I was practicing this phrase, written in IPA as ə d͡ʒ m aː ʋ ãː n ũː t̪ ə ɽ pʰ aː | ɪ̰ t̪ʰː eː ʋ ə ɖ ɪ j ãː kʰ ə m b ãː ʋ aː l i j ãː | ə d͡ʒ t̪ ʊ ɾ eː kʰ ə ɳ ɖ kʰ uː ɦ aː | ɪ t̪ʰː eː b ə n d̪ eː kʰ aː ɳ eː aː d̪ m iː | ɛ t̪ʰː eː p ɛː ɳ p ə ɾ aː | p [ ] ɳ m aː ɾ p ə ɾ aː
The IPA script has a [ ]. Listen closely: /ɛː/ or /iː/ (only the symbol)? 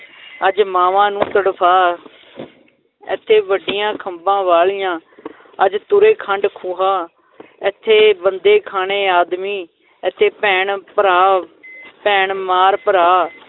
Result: ɛː